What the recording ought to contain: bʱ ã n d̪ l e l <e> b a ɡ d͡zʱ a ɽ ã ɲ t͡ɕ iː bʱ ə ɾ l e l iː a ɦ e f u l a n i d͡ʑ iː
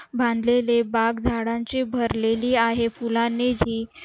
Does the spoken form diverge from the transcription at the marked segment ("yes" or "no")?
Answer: no